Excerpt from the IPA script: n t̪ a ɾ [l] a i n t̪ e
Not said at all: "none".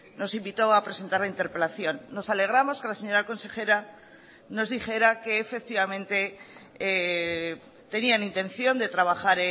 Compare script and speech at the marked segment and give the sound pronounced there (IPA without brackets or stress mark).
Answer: l